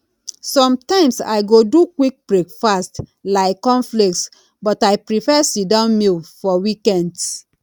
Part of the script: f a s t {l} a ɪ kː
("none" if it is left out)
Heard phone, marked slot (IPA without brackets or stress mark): l